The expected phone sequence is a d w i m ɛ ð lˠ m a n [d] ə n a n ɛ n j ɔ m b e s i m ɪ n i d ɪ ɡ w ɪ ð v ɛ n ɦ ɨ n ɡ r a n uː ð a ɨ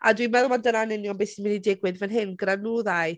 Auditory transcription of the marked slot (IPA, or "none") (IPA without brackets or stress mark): d